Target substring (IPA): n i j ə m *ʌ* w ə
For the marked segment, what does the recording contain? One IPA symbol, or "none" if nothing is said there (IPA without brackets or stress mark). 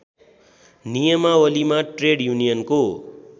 a